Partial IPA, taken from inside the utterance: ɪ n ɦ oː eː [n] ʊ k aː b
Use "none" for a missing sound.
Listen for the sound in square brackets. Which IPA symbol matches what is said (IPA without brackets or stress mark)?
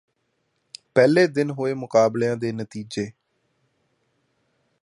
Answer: m